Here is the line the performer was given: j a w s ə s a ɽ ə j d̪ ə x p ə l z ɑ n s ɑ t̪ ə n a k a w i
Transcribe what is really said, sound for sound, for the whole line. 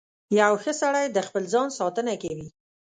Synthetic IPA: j a w x ə s a ɽ a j d̪ ə x p ə l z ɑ n s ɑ t̪ ə n a k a w i